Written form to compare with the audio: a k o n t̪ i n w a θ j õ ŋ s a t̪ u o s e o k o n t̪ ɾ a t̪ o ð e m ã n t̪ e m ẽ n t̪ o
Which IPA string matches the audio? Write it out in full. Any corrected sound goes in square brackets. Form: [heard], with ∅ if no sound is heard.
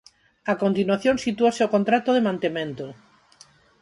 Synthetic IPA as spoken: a k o n t̪ i n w a θ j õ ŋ s [i] t̪ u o s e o k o n t̪ ɾ a t̪ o ð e m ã n t̪ e m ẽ n t̪ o